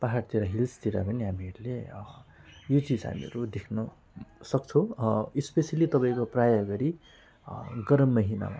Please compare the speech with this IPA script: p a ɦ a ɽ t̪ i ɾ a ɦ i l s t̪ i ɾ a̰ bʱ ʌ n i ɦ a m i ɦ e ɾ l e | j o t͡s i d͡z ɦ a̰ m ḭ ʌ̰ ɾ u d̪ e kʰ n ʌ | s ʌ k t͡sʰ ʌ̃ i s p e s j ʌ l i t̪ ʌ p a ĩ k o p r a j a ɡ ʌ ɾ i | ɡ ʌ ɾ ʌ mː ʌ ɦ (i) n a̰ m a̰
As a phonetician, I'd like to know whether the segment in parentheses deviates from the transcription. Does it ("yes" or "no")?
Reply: no